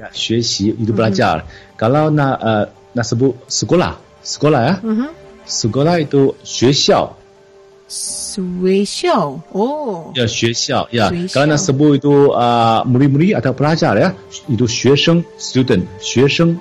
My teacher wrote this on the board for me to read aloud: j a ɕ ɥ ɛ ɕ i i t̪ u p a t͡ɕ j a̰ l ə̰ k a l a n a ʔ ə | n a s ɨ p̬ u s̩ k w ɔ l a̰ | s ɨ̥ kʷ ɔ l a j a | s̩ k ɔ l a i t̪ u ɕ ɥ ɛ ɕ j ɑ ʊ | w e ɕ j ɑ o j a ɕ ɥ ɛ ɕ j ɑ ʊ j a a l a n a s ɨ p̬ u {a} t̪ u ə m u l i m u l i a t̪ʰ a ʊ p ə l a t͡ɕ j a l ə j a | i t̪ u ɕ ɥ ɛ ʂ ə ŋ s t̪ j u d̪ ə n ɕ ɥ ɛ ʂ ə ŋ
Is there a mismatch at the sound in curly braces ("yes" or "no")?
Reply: yes